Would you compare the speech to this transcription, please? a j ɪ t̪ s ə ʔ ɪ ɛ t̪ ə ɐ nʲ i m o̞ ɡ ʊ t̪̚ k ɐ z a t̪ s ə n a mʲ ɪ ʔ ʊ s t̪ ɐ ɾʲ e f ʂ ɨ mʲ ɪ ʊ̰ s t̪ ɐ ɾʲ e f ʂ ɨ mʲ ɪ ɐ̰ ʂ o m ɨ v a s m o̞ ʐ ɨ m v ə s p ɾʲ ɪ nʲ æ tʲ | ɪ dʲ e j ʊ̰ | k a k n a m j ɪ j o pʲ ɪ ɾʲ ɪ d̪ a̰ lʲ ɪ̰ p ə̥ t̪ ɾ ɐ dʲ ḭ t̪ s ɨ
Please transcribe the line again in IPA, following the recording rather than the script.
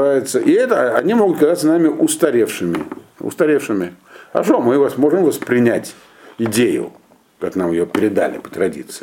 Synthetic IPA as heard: a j ɪ t̪ s ə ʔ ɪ ɛ t̪ ə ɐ nʲ i m o̞ ɡ ʊ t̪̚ k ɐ z a t̪ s ə n a mʲ ɪ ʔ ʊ s t̪ ɐ ɾʲ e f ʂ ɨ mʲ ɪ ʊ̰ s t̪ ɐ ɾʲ e f ʂ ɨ mʲ ɪ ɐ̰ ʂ o m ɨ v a s m o̞ ʐ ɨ m v ə s p ɾʲ ɪ nʲ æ tʲ | ɪ dʲ e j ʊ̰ | k a k n a m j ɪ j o pʲ ɪ ɾʲ ɪ d̪ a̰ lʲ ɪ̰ p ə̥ t̪ ɾ ɐ dʲ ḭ t̪ s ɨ